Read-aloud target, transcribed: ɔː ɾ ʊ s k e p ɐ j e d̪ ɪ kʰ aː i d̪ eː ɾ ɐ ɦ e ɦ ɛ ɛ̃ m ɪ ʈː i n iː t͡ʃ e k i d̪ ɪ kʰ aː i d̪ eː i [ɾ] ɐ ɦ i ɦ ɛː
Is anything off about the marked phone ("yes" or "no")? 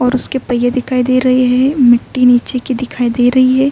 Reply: no